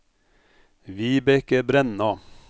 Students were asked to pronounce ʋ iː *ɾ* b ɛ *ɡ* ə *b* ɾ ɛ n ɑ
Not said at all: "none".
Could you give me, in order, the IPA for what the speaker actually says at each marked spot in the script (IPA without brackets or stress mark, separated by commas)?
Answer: none, k, b